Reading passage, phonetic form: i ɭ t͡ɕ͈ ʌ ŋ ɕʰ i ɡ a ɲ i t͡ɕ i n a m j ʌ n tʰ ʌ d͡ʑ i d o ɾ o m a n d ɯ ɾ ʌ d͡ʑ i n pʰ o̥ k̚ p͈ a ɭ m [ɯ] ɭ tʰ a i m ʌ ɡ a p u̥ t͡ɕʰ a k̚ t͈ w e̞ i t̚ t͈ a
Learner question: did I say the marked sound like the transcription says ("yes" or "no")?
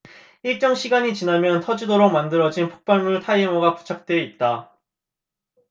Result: no